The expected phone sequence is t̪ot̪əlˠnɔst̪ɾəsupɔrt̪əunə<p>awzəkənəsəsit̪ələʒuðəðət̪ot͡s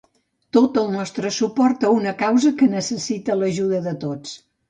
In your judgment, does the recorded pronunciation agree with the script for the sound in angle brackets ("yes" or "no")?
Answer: no